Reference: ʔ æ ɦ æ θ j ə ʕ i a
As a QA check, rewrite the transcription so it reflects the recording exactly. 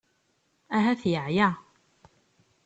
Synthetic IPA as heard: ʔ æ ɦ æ θ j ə ʕ j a